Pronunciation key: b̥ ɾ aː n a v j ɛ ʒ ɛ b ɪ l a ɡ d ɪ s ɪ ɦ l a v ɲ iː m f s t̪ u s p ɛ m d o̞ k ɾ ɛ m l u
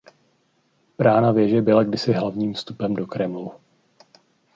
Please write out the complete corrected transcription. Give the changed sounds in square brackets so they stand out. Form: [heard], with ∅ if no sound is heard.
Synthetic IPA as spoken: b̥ ɾ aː n a v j ɛ ʒ ɛ b ɪ l a ɡ d ɪ s ɪ ɦ l a v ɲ iː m f s t̪ u [∅] p ɛ m d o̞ k ɾ ɛ m l u